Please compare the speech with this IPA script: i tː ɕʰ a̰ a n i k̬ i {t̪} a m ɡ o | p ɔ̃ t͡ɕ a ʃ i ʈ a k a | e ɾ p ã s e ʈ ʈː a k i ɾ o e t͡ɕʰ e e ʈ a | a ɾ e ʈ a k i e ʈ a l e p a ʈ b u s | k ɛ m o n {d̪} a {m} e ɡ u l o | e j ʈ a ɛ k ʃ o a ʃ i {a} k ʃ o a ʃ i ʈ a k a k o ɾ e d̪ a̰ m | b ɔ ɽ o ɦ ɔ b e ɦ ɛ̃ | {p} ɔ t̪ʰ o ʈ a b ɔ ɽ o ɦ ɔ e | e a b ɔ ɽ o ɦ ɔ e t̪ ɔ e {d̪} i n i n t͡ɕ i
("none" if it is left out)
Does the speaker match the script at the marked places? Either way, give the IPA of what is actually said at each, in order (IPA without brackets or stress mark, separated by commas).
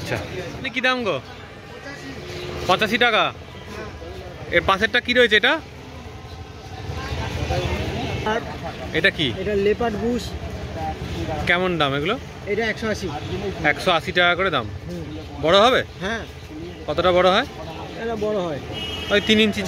d̪, d̪, m, ɛ, k, t̪